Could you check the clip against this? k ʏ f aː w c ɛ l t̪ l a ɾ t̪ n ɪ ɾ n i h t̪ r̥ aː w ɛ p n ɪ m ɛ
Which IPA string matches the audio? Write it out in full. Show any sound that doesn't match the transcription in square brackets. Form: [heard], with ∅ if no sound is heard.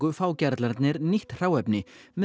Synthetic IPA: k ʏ f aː w c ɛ [ɾ] t̪ l a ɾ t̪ n ɪ ɾ n i h t̪ r̥ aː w ɛ p n ɪ m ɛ

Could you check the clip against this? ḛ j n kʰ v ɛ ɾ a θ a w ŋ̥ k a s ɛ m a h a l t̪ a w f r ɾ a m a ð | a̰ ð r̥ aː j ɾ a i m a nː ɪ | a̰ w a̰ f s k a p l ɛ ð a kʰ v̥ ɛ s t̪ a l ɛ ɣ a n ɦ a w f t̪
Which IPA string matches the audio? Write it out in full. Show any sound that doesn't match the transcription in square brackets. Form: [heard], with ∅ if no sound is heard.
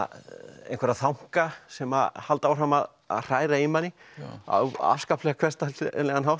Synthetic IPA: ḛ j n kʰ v ɛ ɾ a θ a w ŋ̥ k a s ɛ m a h a l t̪ a w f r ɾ a m a ð | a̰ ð r̥ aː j ɾ a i m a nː ɪ | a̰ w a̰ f s k a p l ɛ [ɣ] a kʰ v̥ ɛ s t̪ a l ɛ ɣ a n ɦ a w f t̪

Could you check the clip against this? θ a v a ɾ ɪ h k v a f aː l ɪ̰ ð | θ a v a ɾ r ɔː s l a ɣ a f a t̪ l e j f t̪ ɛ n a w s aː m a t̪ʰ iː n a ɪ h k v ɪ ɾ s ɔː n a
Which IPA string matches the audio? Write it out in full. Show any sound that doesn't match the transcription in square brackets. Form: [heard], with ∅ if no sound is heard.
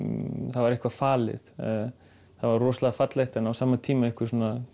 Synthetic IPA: θ a v a ɾ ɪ h k v a f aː l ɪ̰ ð | θ a v a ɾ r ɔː s l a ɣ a f a t̪ l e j [h] t̪ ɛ n a w s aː m a t̪ʰ iː [m] a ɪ h k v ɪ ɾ s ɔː n a

